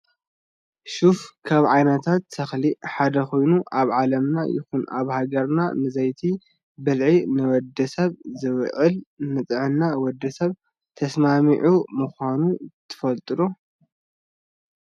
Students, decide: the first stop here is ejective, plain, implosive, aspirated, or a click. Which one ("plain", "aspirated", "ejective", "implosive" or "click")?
aspirated